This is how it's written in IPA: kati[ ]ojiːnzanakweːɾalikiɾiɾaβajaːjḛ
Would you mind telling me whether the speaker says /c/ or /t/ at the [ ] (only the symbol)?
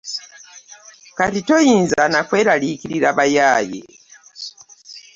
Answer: t